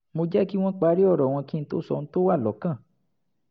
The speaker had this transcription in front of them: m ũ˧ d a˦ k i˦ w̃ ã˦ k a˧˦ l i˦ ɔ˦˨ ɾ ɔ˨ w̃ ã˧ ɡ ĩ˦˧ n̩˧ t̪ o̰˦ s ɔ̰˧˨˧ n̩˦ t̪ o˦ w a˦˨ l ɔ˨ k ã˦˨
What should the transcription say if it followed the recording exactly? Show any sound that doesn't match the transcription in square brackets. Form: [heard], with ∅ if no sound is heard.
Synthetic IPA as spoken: m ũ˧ [d͡ʒ] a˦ k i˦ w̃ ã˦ [k͡p] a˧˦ [ɾ] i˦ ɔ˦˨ ɾ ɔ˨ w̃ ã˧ [k] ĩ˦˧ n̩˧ t̪ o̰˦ s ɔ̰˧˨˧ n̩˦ t̪ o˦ w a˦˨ l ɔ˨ k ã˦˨

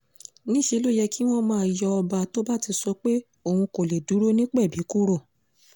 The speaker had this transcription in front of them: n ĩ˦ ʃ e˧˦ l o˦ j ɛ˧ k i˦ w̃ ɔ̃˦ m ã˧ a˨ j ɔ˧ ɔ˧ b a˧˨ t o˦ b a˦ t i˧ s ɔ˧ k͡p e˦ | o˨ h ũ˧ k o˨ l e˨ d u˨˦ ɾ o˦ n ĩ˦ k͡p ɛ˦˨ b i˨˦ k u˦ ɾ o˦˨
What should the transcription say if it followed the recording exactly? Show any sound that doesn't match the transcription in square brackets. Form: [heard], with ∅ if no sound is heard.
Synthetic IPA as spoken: n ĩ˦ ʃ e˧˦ l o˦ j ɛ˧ k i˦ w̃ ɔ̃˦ m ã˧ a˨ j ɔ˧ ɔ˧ b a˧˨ t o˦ b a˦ t i˧ s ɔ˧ k͡p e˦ | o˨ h ũ˧ k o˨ l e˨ d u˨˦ ɾ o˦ n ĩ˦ k͡p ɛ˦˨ b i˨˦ k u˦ ɾ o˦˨

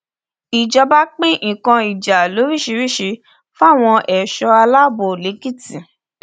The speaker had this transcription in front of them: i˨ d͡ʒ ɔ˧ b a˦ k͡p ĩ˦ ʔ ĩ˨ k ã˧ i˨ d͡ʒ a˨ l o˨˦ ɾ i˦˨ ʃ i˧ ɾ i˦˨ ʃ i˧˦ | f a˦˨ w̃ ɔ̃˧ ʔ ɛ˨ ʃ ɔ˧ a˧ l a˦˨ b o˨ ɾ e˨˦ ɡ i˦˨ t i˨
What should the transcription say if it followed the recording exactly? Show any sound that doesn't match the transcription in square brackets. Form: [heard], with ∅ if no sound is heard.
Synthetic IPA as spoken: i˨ d͡ʒ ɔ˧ b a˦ k͡p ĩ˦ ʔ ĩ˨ k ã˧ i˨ d͡ʒ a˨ l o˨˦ ɾ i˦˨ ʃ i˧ ɾ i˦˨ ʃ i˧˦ | f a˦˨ w̃ ɔ̃˧ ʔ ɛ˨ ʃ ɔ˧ a˧ l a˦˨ b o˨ [l] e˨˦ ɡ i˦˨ t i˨

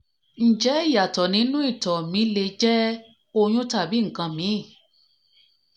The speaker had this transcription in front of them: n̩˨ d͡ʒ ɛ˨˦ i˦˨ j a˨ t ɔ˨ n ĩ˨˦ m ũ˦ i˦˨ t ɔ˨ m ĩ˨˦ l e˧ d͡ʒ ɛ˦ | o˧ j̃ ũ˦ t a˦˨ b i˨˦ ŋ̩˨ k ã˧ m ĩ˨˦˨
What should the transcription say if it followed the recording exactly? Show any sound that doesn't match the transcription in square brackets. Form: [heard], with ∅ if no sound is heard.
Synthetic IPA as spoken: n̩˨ d͡ʒ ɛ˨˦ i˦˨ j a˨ t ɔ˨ n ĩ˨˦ [n] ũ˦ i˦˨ t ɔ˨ m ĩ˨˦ l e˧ d͡ʒ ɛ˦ | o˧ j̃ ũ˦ t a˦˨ b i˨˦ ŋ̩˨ k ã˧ m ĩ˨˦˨

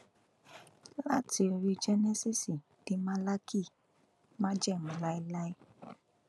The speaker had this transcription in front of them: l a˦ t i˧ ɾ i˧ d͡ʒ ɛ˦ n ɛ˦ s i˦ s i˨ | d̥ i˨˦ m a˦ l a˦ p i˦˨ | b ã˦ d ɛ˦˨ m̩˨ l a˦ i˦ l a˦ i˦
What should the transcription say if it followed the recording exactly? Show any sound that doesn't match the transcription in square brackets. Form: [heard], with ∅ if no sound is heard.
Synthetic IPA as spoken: l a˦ t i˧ ɾ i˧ d͡ʒ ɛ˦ n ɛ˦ s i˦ s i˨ | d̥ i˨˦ m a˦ l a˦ [k] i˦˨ | [m] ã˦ [d͡ʒ] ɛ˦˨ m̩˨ l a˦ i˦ l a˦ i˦

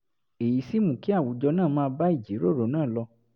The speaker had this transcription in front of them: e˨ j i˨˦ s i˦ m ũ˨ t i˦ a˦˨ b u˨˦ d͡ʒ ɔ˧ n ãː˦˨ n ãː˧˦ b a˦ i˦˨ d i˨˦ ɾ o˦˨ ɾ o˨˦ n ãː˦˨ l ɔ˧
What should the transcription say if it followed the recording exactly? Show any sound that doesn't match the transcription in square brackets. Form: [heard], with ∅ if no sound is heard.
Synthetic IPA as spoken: e˨ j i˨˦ s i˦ m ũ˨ [k] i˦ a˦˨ [w] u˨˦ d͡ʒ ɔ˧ n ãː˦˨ [m] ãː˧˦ b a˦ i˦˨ [d͡ʒ] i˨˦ ɾ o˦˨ ɾ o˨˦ n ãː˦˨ l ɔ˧

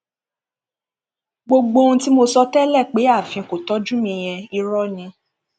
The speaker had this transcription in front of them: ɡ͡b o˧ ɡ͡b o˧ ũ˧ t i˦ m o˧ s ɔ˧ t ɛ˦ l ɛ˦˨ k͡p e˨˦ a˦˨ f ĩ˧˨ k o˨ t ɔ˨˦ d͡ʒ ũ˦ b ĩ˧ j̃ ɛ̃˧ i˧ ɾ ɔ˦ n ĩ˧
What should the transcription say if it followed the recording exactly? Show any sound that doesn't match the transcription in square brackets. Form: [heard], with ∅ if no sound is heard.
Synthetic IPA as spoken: ɡ͡b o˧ ɡ͡b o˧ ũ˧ t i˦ m o˧ s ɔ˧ t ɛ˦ l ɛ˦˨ k͡p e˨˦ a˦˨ f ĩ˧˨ k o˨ t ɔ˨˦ d͡ʒ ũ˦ [m] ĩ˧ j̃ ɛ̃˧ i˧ ɾ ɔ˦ n ĩ˧

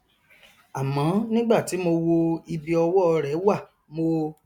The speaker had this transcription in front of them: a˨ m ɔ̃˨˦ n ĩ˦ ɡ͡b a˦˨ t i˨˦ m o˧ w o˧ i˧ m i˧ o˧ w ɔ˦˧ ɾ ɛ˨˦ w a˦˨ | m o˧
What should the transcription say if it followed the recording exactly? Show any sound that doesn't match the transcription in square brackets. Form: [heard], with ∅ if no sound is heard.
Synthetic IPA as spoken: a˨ m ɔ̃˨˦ n ĩ˦ ɡ͡b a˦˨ t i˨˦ m o˧ w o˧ i˧ [b] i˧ [ɔ˧] w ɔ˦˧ ɾ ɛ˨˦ w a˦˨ | m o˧

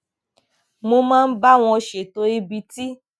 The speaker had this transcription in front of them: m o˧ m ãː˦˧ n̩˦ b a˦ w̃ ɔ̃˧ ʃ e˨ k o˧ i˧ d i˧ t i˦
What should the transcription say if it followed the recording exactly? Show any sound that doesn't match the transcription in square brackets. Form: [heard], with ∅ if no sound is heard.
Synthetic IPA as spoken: m o˧ m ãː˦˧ n̩˦ b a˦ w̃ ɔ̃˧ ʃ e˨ [t] o˧ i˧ [b] i˧ t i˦

